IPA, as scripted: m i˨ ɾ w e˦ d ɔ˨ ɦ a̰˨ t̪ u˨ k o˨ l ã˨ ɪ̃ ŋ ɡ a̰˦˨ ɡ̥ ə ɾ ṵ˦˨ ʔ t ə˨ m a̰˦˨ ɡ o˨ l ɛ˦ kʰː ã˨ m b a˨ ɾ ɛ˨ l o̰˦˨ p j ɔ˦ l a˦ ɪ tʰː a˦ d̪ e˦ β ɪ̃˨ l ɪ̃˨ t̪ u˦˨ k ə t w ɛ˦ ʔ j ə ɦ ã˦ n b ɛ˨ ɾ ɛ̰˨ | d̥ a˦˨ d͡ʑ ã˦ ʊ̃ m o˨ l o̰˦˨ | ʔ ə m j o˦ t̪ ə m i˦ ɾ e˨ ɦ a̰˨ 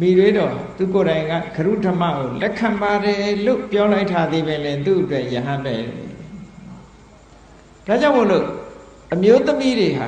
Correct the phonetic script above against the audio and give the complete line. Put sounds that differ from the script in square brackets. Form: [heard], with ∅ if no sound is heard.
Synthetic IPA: m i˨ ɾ w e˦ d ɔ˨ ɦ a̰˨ t̪ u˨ k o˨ [ɾ] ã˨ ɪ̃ ŋ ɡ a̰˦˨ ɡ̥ ə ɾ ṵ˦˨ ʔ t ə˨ m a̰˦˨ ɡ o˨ l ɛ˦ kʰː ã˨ m b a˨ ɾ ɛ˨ l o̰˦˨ p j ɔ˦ l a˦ ɪ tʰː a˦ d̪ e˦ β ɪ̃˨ l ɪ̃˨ t̪ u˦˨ [ʔ] ə t w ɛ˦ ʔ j ə ɦ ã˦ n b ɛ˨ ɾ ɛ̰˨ | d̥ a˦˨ d͡ʑ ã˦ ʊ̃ m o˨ l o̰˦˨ | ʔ ə m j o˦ t̪ ə m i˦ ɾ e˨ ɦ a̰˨